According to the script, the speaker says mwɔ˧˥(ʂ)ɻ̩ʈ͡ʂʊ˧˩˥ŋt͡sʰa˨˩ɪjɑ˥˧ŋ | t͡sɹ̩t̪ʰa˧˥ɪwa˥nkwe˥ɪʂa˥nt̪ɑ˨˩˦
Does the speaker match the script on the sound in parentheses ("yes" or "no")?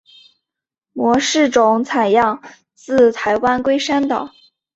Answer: yes